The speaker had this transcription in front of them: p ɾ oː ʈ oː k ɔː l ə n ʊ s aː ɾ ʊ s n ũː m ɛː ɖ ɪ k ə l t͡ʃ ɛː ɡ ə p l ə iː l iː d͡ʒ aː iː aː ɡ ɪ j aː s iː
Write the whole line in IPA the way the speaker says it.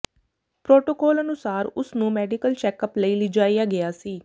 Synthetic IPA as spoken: p ɾ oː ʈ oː k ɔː l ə n ʊ s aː ɾ ʊ s n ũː m ɛː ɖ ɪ k ə l t͡ʃ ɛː k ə p l ə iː l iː d͡ʒ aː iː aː ɡ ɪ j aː s iː